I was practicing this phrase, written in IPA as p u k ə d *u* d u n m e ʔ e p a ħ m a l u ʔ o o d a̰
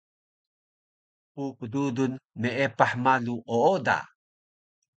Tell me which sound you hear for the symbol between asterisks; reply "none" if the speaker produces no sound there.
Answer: u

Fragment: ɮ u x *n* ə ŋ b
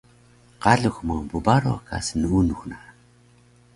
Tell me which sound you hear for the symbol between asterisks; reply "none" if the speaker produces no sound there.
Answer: m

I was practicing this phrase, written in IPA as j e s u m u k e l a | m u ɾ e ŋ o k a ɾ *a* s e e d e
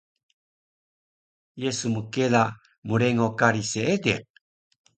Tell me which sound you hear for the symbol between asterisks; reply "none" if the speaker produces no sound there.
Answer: i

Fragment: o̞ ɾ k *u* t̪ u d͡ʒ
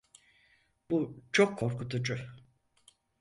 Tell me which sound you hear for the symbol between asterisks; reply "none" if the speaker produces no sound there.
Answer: u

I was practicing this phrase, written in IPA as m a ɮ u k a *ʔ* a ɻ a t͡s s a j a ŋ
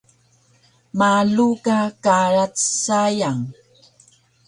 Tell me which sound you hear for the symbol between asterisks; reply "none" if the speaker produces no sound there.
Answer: k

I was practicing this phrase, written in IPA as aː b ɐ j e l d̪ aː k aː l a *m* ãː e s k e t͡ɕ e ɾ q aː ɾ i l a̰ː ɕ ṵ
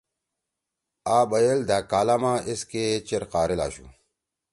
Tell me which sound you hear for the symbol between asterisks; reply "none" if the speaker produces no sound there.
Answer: m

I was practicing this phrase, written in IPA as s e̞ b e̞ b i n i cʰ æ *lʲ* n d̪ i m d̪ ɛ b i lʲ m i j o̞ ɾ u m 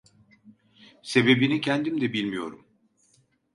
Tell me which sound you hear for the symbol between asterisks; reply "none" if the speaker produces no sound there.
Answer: none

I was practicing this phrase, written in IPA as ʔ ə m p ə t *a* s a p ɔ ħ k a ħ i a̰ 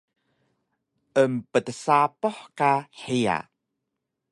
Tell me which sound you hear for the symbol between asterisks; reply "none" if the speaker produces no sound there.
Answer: ə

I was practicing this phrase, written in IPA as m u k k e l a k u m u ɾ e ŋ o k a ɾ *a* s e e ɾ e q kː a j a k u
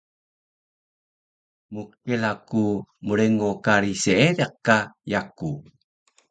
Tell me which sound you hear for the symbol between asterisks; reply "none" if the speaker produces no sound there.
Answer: i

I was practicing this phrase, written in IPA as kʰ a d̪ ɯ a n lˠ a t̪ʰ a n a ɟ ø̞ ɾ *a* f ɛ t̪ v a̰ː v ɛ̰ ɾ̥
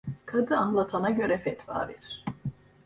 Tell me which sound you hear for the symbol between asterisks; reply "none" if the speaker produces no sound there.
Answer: ɛ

